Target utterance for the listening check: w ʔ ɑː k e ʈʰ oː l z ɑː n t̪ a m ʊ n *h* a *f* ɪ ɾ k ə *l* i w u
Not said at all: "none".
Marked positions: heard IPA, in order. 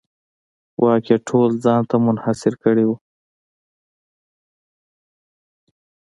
h, s, ɽ

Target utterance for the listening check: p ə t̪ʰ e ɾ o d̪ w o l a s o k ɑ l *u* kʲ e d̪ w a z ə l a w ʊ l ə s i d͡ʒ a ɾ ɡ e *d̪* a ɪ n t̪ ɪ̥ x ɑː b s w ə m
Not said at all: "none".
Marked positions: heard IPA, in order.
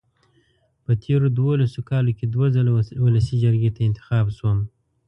o, t̪

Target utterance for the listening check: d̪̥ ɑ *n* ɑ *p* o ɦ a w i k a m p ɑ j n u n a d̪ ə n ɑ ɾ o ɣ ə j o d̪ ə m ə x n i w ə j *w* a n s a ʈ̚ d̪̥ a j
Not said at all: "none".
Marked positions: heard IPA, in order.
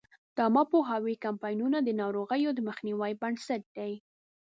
m, p, b

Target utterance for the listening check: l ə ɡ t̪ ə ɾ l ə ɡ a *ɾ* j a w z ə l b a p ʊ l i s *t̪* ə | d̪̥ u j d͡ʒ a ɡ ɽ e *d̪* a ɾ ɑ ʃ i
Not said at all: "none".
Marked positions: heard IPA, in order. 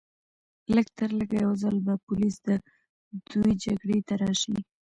none, d̪, t̪

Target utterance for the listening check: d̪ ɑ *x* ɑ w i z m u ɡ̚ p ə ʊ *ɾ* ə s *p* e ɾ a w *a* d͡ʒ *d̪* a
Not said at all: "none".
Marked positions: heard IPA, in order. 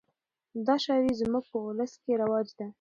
ʃ, l, k, ɑ, d̪

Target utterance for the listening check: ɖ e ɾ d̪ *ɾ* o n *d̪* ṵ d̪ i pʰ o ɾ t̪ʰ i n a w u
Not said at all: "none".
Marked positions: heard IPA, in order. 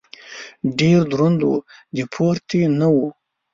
ɾ, d̪

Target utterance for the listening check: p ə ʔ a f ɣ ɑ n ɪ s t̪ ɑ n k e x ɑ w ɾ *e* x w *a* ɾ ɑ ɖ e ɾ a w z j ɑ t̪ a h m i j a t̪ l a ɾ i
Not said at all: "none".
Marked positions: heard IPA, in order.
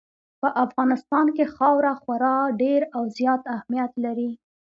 a, a

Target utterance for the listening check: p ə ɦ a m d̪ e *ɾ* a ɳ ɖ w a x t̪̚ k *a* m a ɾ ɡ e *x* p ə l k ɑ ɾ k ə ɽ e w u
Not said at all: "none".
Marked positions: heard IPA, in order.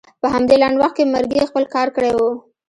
l, e, x

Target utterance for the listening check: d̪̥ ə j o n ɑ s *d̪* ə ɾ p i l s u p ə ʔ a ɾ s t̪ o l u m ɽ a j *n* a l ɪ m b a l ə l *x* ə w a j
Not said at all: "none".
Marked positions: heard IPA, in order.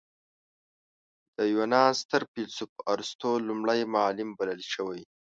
t̪, m, ʃ

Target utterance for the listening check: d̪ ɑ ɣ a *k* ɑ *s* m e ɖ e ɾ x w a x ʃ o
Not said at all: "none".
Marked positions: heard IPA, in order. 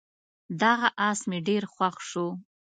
ʔ, s

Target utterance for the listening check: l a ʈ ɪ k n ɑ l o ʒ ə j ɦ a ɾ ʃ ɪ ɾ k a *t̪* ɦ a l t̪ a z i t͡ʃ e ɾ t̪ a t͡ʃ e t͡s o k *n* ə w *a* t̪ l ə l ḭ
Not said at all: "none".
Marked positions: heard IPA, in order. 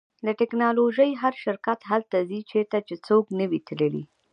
t̪, n, i

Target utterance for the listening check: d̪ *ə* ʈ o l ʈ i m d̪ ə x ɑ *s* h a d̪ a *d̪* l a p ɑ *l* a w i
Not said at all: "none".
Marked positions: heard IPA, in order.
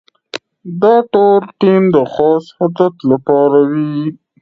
ɑ, s, t̪, ɾ

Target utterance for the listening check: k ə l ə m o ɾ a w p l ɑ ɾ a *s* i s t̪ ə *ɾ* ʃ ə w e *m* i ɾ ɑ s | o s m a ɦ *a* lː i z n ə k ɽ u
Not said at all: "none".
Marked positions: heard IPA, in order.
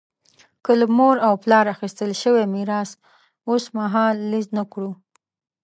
x, l, m, ɑ

